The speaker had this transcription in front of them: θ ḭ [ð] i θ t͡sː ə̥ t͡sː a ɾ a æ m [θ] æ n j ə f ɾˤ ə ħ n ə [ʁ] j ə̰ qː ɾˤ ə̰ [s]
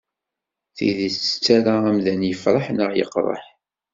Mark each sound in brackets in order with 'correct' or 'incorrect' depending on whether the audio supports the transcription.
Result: correct, incorrect: ð, correct, incorrect: ħ

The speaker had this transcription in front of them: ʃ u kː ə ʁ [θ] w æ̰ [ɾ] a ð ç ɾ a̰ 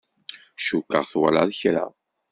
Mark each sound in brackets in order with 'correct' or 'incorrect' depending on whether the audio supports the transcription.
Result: correct, incorrect: l

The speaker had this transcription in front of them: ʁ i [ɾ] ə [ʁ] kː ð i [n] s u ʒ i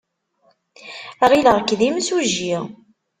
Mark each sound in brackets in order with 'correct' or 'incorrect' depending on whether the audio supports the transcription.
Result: incorrect: l, correct, incorrect: m

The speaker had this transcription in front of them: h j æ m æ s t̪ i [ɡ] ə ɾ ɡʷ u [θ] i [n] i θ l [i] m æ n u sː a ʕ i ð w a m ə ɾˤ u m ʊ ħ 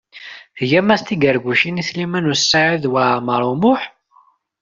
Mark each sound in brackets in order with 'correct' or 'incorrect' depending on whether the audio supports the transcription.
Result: correct, incorrect: ʃ, correct, correct

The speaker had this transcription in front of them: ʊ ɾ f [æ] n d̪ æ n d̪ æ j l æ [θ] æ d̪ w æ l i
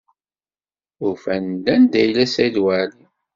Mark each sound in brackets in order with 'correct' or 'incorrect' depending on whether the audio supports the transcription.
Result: correct, incorrect: s

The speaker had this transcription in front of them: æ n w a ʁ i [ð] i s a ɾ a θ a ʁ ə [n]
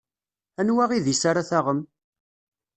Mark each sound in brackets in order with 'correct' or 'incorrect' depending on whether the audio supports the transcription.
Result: correct, incorrect: m

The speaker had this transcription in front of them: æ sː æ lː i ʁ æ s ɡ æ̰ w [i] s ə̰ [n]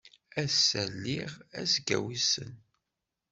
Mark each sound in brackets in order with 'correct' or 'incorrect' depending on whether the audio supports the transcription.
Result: correct, correct

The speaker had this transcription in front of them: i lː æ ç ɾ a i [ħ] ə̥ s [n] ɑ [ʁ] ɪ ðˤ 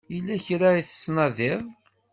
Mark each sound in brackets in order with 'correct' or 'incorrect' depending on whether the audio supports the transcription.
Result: incorrect: θ, correct, incorrect: ð

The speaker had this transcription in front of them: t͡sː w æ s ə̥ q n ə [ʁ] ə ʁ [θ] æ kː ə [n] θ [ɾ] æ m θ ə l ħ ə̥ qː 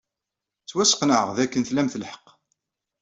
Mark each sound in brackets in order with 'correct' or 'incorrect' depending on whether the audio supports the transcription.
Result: incorrect: ʕ, incorrect: ð, correct, incorrect: l

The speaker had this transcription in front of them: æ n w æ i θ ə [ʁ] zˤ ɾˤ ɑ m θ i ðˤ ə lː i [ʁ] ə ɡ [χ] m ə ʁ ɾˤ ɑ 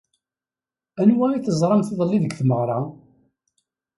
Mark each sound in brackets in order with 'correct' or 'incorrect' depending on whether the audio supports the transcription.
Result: incorrect: none, incorrect: ð, incorrect: θ

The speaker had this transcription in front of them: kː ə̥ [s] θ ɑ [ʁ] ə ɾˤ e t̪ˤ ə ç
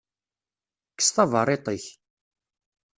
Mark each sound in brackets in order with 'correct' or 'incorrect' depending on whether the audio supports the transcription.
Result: correct, incorrect: v

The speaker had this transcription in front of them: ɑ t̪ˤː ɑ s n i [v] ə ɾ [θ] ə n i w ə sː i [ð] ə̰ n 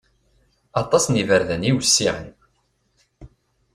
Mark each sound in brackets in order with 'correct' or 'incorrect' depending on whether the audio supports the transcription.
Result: correct, incorrect: ð, incorrect: ʕ

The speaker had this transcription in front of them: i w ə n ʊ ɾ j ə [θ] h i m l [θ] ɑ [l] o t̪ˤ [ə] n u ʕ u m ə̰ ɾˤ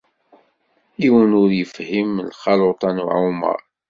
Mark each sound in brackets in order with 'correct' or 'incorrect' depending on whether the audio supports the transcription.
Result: incorrect: f, incorrect: χ, correct, incorrect: ɑ

